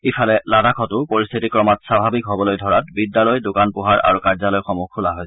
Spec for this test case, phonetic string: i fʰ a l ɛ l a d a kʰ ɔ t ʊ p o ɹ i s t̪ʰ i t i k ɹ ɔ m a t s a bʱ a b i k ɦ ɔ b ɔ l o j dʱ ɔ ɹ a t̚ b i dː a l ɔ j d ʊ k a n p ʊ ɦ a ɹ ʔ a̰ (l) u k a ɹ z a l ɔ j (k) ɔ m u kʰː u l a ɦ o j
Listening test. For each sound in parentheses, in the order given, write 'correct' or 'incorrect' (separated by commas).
incorrect, incorrect